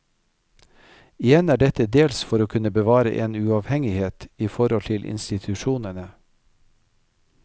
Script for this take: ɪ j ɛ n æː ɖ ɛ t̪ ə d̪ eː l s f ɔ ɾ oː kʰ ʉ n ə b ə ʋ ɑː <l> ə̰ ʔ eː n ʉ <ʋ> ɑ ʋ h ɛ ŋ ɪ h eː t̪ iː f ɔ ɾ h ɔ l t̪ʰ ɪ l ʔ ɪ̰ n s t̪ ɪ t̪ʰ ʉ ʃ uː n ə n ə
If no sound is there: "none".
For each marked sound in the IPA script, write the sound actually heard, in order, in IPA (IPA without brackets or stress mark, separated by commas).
ɾ, none